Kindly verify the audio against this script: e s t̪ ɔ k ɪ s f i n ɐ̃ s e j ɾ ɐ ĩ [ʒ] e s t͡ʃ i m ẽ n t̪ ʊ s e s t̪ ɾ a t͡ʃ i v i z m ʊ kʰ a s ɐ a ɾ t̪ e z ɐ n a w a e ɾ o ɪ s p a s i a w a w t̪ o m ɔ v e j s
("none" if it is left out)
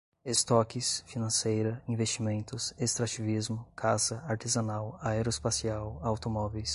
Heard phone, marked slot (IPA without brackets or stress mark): v